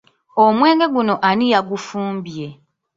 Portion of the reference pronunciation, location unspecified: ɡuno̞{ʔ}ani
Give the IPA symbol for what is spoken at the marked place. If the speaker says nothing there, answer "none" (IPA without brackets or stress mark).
ʔ